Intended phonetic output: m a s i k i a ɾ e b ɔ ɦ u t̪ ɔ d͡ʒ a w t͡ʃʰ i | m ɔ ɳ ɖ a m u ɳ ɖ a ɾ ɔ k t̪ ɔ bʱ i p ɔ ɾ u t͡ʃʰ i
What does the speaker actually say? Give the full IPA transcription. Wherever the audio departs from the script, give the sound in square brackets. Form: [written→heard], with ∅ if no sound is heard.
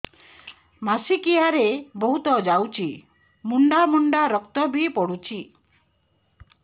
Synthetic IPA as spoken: m a s i k i a ɾ e b ɔ ɦ u t̪ ɔ d͡ʒ a w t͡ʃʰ i | m [ɔ→u] ɳ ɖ a m u ɳ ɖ a ɾ ɔ k t̪ ɔ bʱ i p ɔ [ɾ→ɽ] u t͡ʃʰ i

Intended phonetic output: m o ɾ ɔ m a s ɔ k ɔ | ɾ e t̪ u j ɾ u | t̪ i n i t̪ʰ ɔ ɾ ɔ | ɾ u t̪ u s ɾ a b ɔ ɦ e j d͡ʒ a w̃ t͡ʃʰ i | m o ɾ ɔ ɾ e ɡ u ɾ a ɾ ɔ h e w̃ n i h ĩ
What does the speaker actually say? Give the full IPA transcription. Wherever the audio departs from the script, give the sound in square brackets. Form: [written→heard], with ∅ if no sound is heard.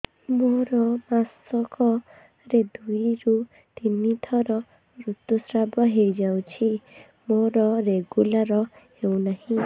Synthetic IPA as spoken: m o ɾ ɔ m a s ɔ k ɔ | ɾ e [t̪→d̪] u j ɾ u | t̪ i n i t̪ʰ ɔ ɾ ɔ | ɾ u t̪ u s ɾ a b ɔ ɦ e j d͡ʒ a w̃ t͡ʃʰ i | m o ɾ ɔ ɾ e ɡ u [ɾ→l] a ɾ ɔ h e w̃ n [i→a] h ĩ

